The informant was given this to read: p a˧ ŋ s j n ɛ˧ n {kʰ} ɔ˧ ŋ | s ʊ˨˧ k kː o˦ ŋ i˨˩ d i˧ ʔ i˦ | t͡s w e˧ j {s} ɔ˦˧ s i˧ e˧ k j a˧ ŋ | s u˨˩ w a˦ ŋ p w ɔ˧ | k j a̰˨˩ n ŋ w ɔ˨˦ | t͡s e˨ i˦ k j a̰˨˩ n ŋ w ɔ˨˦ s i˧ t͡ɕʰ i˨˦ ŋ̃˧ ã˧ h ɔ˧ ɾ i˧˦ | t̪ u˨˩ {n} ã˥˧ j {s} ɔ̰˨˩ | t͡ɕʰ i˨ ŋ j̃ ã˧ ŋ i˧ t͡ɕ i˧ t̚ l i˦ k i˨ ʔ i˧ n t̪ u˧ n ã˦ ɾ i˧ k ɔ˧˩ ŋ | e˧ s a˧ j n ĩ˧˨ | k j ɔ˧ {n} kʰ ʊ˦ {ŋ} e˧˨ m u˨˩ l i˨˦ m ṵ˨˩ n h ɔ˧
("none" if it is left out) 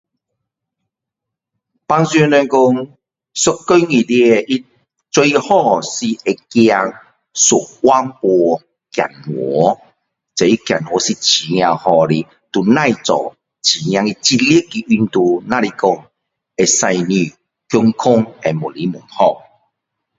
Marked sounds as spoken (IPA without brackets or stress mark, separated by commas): k, h, n, t͡s, ŋ, ŋ